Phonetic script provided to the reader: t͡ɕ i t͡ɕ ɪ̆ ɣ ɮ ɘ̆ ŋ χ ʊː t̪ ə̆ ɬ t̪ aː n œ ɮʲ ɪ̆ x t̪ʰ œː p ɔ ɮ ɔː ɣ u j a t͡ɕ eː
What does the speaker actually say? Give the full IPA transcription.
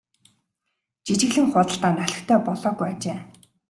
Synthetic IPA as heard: t͡ɕ i t͡ɕ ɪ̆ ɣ ɮ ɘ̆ ŋ χ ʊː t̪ ə̆ ɬ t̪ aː n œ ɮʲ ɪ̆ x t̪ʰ œː p ɔ ɮ ɔː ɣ u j a t͡ɕ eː